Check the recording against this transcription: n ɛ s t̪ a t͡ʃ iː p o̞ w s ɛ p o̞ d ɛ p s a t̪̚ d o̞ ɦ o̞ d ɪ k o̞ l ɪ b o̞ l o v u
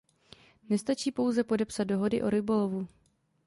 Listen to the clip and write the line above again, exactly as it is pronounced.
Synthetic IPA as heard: n ɛ s t̪ a t͡ʃ iː p o̞ w z ɛ p o̞ d ɛ p s a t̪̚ d o̞ ɦ o̞ d ɪ ʔ o̞ ɾ ɪ b o̞ l o v u